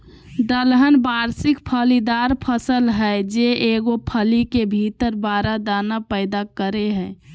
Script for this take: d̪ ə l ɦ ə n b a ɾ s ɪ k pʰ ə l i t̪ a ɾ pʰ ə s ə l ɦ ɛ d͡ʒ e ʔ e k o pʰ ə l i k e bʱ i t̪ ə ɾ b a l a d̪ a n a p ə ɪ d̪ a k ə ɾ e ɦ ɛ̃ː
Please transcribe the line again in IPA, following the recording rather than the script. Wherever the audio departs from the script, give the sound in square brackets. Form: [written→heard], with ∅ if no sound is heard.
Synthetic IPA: d̪ ə l ɦ ə n b a ɾ s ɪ k pʰ ə l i [t̪→d̪] a ɾ pʰ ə s ə l ɦ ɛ d͡ʒ e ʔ e [k→ɡ] o pʰ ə l i k e bʱ i t̪ ə ɾ b a [l→ɾ] a d̪ a n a p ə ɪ d̪ a k ə ɾ e ɦ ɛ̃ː